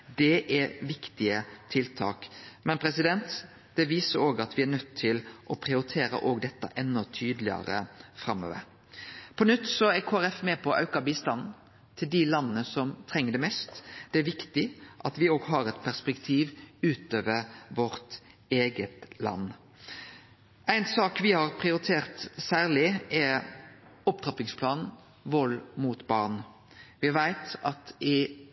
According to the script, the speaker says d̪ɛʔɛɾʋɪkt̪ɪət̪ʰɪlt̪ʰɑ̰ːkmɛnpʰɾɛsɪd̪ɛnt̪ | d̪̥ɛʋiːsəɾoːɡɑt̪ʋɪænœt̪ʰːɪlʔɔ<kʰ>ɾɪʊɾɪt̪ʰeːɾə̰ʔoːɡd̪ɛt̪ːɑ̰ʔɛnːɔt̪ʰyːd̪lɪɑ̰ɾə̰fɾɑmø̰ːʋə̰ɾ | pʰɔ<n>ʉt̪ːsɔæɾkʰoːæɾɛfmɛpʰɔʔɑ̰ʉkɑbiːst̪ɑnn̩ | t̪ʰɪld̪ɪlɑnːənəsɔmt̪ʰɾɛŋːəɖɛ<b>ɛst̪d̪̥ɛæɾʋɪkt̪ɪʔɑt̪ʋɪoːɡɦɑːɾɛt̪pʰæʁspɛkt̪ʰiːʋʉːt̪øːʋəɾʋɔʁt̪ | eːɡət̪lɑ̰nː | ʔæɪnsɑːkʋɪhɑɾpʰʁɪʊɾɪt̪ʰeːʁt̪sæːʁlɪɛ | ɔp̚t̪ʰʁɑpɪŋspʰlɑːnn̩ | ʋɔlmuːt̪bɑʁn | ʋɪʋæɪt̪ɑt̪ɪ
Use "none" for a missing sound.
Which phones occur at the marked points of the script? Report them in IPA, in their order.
pʰ, n, m

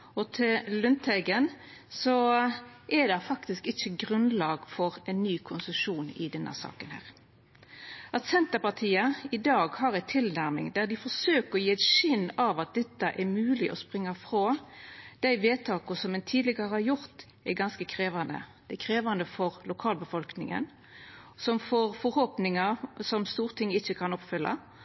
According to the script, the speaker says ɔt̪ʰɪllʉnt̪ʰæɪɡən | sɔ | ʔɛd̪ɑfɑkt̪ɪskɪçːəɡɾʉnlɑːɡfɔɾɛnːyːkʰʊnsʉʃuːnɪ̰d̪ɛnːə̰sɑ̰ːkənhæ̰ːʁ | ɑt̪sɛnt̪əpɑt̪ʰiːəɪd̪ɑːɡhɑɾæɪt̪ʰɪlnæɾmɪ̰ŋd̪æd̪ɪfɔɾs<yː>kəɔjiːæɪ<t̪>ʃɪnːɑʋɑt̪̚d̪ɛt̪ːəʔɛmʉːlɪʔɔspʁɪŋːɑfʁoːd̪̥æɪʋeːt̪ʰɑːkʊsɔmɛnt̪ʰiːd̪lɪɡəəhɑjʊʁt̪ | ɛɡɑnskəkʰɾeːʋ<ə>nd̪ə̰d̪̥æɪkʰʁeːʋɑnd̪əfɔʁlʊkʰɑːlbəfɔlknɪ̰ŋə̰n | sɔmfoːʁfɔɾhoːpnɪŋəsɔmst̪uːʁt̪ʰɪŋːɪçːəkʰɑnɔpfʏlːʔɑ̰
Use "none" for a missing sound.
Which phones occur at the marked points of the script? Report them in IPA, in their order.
øː, t̪, ɑ

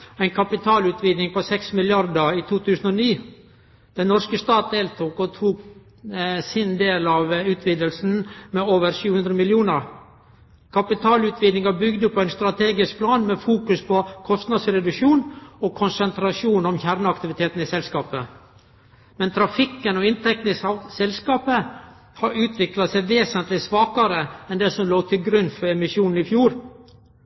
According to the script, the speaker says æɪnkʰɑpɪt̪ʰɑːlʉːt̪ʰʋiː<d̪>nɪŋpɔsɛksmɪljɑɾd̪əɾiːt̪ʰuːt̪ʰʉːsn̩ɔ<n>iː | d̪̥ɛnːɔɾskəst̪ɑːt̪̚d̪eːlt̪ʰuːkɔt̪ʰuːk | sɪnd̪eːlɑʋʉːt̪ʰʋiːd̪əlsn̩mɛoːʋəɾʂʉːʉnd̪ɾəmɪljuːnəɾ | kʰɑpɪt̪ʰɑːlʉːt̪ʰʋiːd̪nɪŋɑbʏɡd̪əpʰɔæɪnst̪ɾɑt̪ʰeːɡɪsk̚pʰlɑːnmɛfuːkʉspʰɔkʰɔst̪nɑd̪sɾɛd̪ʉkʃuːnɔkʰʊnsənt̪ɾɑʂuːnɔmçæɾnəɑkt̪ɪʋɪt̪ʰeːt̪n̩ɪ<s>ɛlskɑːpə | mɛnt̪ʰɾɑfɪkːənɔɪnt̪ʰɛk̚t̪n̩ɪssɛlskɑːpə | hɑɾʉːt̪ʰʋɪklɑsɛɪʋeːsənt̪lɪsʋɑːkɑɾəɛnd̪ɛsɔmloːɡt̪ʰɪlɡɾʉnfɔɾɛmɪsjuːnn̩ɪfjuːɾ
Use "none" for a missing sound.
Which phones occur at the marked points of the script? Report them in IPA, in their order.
d̪, n, s

